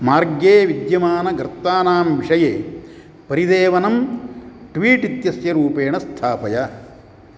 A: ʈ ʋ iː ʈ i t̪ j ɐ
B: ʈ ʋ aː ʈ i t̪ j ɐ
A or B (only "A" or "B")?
A